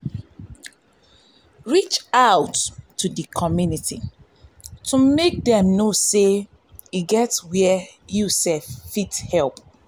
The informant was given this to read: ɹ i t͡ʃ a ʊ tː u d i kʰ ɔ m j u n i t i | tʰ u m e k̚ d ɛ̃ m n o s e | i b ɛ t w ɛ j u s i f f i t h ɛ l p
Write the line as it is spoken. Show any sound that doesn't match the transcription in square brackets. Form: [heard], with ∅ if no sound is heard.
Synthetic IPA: ɹ i t͡ʃ a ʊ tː u d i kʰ ɔ m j u n i t i | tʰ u m e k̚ d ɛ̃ m n o s e | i [ɡ] ɛ t w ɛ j u s [ɛ] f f i t h ɛ l p